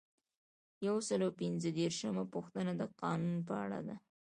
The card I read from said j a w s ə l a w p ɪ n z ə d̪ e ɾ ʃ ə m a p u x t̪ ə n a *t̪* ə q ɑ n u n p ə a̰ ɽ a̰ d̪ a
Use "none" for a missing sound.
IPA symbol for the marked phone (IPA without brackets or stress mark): d̪